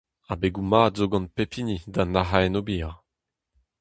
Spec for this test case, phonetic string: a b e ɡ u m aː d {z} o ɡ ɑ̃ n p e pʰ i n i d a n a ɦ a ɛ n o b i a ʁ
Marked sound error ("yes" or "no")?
no